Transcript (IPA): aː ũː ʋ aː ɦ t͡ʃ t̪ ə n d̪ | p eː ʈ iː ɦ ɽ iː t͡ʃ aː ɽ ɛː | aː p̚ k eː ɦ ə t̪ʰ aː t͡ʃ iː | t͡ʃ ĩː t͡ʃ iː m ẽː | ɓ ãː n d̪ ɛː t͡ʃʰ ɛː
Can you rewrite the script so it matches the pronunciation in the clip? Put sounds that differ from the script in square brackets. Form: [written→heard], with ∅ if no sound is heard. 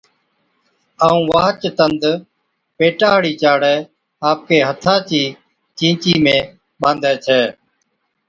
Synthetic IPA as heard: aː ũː ʋ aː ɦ t͡ʃ t̪ ə n d̪ | p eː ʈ [iː→aː] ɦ ɽ iː t͡ʃ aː ɽ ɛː | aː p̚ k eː ɦ ə t̪ʰ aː t͡ʃ iː | t͡ʃ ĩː t͡ʃ iː m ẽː | ɓ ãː n d̪ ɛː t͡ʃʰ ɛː